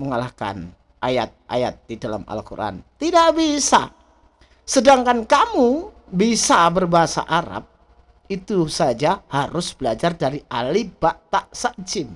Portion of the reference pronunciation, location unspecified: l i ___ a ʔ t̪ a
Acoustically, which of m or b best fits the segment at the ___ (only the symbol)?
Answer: b